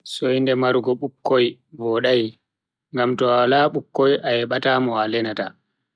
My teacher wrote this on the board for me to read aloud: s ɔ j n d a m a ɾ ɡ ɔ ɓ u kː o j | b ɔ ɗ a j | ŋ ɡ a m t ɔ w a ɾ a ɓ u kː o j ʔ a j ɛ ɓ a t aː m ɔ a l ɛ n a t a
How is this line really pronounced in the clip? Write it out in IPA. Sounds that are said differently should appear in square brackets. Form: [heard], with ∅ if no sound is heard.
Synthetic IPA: s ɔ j n d [ɛ] m a ɾ ɡ ɔ ɓ u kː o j | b ɔ ɗ a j | ŋ ɡ a m t ɔ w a [l] a ɓ u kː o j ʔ a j ɛ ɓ a t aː m ɔ a l ɛ n a t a